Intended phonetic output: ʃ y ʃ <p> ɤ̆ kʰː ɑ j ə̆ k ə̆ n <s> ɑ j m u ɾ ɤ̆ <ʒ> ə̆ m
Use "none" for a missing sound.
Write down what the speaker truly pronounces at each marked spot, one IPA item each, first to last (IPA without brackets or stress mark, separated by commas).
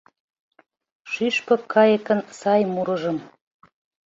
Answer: p, s, ʒ